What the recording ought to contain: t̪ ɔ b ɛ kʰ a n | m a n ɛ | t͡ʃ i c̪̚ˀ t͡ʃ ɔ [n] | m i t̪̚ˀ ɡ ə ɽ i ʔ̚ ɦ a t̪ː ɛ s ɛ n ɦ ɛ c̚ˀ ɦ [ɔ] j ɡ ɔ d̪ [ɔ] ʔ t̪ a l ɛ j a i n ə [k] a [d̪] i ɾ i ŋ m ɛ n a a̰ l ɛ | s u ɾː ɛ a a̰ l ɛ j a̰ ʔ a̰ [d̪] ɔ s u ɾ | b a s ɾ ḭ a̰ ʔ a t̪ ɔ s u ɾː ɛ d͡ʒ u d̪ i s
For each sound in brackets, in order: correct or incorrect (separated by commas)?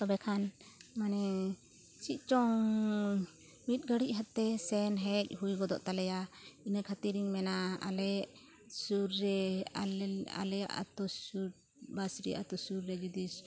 incorrect, incorrect, correct, incorrect, incorrect, incorrect